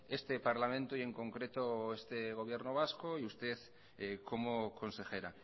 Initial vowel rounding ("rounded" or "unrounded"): unrounded